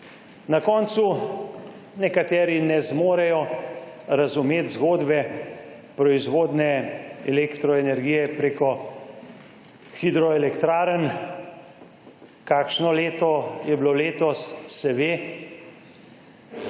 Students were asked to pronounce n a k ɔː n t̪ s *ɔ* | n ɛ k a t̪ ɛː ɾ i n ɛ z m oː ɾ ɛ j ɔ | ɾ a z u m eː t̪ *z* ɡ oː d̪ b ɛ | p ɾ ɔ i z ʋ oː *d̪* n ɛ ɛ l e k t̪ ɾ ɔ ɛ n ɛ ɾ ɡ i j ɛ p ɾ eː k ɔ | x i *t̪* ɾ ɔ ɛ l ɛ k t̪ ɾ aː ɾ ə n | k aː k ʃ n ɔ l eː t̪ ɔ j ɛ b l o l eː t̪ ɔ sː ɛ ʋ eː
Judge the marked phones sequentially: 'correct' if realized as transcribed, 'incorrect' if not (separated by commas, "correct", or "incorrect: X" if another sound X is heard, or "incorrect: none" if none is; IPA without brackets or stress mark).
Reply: incorrect: u, correct, correct, incorrect: d̪